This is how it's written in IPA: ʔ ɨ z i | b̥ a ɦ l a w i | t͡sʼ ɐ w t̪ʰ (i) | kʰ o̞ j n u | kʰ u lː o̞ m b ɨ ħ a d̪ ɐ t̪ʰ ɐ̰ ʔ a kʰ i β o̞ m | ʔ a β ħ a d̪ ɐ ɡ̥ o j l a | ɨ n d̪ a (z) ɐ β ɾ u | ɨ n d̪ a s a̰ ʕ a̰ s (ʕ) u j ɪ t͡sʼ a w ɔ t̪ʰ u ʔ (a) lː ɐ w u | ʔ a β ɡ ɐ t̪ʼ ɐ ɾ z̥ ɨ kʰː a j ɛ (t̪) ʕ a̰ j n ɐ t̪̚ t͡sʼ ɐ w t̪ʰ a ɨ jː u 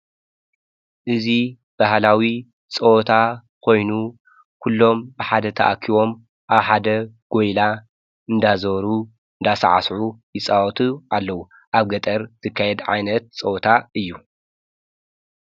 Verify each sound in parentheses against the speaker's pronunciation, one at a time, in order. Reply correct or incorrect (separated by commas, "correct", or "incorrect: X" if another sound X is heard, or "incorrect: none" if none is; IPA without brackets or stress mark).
incorrect: a, correct, correct, correct, incorrect: d̪